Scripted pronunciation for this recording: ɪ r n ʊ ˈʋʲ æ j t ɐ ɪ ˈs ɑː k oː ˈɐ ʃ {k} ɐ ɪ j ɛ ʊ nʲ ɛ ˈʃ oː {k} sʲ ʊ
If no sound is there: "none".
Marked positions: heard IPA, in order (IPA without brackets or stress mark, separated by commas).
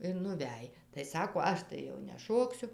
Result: t, k